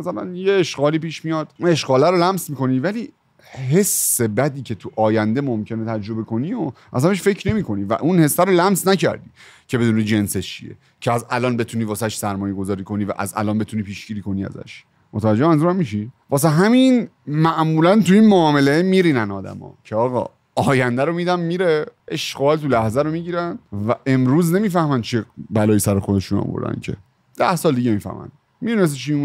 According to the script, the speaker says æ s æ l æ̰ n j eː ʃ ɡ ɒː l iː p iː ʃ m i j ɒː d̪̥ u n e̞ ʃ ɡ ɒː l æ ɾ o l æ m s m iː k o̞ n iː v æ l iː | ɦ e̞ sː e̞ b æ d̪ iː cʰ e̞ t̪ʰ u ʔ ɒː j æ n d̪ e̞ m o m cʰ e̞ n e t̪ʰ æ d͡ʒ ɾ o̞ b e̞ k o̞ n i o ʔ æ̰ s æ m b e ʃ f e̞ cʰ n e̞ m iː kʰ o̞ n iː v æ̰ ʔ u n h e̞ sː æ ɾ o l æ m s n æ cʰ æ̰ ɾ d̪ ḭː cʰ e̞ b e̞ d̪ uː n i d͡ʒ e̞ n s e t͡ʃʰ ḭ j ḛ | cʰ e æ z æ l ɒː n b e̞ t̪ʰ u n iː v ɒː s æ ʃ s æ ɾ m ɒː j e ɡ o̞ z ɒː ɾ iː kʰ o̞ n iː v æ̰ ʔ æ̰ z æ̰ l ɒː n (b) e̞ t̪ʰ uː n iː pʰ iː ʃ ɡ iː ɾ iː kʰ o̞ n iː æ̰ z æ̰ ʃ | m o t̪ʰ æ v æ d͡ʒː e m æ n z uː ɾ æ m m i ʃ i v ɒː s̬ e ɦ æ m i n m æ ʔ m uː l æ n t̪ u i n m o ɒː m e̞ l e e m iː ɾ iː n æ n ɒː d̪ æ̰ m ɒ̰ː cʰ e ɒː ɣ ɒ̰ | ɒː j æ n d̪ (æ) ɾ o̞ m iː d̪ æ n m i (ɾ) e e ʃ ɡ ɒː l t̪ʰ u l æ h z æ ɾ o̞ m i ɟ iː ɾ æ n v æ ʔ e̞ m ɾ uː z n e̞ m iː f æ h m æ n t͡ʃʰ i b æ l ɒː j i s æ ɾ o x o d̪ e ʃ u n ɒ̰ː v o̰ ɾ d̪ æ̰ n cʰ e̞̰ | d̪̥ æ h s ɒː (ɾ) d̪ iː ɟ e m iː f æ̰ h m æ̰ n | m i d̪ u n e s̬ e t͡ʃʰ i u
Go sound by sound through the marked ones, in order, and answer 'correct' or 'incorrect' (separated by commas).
correct, correct, correct, incorrect